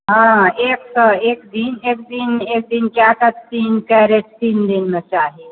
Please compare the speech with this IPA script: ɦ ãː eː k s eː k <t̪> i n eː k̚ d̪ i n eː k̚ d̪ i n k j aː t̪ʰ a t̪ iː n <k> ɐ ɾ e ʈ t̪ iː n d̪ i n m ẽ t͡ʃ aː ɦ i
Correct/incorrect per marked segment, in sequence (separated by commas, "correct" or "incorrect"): incorrect, correct